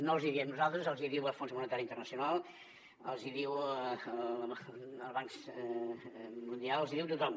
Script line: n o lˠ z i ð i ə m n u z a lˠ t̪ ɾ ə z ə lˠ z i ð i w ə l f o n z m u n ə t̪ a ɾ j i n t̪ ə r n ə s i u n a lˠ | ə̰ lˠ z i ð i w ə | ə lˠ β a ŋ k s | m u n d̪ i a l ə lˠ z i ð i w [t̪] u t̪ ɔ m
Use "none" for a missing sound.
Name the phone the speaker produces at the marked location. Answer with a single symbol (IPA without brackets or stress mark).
t̪